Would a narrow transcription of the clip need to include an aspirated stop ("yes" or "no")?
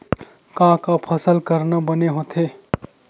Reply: yes